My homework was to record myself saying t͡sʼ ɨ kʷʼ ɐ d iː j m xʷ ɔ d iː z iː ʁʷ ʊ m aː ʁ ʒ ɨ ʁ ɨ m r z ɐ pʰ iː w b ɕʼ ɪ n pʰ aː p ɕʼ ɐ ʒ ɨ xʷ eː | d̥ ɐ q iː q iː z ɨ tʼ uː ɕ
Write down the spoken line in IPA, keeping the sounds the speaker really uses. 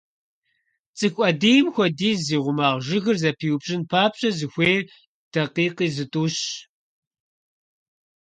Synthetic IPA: t͡sʼ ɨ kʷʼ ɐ d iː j m xʷ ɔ d iː z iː ʁʷ ʊ m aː ʁ ʒ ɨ ɣ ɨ r z ɐ pʰ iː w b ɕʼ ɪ n pʰ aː p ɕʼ ɐ z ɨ xʷ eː | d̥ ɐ q iː q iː z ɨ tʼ uː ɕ